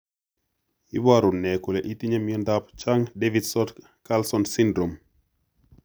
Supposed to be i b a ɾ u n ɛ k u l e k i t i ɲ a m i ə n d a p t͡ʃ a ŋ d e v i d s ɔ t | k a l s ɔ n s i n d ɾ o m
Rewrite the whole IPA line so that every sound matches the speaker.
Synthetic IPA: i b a ɾ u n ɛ k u l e ʔ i t i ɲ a m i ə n d a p t͡ʃ a ŋ d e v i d s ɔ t | k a l s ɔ n s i n d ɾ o m

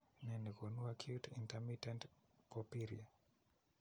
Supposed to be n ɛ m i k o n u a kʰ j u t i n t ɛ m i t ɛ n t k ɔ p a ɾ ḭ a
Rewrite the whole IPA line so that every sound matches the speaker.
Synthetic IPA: n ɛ n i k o n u a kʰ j u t i n t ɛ m i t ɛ n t p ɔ p i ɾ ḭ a

